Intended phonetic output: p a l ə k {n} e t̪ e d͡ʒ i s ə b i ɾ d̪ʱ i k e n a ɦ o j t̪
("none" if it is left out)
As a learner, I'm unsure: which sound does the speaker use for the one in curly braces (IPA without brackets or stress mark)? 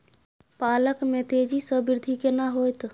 m